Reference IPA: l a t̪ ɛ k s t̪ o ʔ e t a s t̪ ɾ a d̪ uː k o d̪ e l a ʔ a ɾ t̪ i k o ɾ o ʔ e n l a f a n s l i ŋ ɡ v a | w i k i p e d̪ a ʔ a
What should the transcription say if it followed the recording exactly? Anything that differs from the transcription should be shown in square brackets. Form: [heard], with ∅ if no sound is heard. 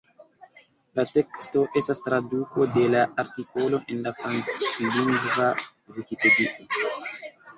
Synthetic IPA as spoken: l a t̪ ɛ k s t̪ o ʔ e [s] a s t̪ ɾ a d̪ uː k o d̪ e l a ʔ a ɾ t̪ i k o [l] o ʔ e n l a f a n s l i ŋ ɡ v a | w i k i p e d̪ [i] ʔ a